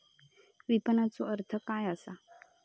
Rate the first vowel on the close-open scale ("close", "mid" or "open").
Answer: close